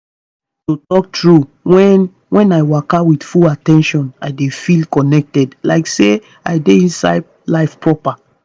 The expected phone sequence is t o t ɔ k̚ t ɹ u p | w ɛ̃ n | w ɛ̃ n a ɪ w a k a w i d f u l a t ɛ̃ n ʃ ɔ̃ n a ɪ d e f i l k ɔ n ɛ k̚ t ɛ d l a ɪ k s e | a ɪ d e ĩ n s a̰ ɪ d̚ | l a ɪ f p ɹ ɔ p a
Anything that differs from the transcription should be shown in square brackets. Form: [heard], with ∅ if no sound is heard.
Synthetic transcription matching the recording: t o t ɔ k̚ t ɹ u [∅] | w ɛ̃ n | w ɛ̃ n a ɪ w a k a w i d f u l a t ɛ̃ n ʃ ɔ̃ n a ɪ d e f i l k ɔ n ɛ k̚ t ɛ d l a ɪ k s e | a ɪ d e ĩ n s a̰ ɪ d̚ | l a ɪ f p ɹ ɔ p a